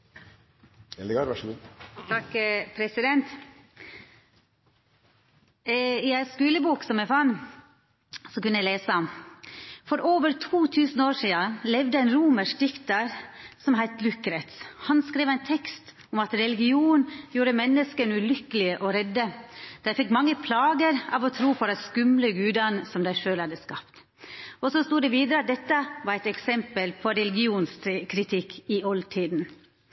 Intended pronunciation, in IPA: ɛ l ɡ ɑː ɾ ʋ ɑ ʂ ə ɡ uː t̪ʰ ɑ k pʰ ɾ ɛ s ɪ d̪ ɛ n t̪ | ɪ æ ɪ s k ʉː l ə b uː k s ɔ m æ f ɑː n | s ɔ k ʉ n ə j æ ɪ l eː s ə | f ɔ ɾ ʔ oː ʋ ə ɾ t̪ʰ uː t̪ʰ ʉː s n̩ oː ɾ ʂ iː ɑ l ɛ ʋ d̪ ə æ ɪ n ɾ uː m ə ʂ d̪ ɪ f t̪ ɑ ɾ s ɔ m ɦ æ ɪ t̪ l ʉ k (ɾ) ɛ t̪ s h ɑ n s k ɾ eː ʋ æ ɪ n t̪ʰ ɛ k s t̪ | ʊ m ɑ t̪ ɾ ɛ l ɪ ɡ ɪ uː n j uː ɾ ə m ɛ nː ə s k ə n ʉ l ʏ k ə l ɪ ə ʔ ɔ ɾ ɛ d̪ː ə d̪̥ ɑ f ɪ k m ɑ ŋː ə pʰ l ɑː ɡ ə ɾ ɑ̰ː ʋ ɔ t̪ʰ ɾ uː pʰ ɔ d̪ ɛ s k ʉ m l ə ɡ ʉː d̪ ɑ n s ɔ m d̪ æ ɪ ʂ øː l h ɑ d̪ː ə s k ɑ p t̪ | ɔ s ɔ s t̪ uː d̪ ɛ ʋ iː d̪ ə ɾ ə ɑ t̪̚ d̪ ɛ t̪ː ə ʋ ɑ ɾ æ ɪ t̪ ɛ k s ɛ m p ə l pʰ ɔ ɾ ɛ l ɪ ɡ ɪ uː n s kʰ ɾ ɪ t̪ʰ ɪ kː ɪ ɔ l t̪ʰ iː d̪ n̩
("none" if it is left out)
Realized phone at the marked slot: ɾ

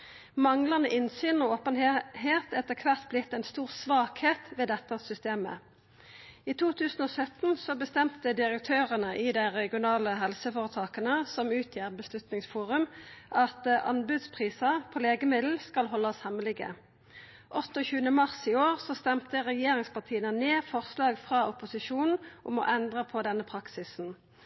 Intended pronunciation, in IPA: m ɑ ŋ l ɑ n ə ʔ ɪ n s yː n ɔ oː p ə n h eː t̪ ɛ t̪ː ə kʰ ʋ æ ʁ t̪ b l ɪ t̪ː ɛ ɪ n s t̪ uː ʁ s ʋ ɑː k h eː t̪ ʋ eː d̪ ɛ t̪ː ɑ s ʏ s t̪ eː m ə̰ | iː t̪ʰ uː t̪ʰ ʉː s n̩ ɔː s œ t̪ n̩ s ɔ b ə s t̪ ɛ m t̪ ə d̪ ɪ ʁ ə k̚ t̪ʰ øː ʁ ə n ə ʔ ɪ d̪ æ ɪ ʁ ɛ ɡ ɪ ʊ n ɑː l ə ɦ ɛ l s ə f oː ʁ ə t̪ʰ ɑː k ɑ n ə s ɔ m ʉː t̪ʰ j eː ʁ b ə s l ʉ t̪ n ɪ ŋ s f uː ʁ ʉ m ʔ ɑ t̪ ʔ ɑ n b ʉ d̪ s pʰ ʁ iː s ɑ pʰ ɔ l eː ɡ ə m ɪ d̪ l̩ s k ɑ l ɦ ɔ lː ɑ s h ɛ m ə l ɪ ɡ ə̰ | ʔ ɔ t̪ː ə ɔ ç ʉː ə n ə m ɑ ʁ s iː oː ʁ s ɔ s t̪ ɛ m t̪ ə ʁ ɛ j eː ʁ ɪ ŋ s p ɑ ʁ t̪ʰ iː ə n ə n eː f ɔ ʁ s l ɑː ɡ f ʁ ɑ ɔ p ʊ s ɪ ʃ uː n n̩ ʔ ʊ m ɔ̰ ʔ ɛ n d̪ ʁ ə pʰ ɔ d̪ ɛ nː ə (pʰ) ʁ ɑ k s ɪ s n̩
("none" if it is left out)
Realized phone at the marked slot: pʰ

